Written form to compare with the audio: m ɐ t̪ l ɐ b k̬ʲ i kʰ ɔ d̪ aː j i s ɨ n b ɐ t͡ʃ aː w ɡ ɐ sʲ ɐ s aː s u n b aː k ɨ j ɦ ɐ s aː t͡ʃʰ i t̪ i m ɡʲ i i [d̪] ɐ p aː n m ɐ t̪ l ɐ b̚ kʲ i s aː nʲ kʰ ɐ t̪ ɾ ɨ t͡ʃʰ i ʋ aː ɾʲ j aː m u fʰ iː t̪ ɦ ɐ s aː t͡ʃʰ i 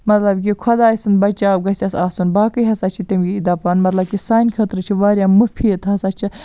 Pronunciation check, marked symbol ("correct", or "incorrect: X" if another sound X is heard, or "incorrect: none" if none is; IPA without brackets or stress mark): correct